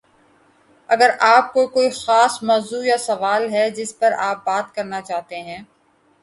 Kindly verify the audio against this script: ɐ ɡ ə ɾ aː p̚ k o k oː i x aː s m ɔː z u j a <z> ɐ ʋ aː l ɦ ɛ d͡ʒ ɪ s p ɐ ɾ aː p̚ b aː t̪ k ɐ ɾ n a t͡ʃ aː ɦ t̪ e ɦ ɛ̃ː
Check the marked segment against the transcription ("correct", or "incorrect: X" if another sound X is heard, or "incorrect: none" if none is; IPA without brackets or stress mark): incorrect: s